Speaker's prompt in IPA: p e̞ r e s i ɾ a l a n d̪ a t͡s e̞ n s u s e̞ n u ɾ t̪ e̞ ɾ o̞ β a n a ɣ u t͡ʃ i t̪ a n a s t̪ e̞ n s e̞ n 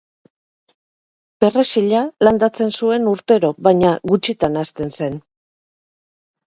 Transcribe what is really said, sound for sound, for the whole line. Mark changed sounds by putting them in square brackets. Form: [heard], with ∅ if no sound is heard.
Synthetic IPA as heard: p e̞ r e s i [ʎ] a l a n d̪ a t͡s e̞ n s u [∅] e̞ n u ɾ t̪ e̞ ɾ o̞ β a [ɲ] a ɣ u t͡ʃ i t̪ a n a s t̪ e̞ n s e̞ n